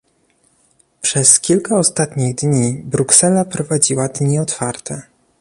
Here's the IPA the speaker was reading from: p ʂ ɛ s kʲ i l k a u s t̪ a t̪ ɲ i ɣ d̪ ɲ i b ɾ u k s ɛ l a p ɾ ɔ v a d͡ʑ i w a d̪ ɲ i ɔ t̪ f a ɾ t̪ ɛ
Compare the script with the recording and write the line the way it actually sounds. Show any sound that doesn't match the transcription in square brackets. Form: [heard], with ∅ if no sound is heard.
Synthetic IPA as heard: p ʂ ɛ s kʲ i l k a [ɔ] s t̪ a t̪ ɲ i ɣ d̪ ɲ i b ɾ u k s ɛ l a p ɾ ɔ v a d͡ʑ i w a d̪ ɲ i ɔ t̪ f a ɾ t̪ ɛ